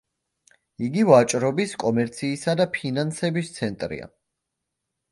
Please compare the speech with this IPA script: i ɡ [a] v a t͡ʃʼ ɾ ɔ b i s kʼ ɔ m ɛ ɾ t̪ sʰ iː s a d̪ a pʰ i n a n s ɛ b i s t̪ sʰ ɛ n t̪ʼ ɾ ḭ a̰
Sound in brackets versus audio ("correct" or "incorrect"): incorrect